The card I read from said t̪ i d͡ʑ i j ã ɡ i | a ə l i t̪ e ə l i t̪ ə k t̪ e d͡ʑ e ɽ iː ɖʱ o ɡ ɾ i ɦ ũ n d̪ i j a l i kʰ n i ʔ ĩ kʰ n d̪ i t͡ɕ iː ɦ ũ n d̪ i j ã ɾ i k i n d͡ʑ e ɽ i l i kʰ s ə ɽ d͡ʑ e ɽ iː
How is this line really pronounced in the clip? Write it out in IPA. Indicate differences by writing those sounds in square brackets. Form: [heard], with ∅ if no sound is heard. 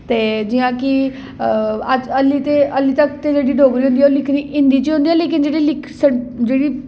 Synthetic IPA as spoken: t̪ [e] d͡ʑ i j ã [k] i | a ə l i t̪ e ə l i t̪ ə k t̪ e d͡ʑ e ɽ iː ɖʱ o ɡ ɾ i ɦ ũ n d̪ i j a l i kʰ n i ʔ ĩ [∅] n d̪ i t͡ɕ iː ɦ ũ n d̪ i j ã [l] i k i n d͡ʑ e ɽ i l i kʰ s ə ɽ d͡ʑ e ɽ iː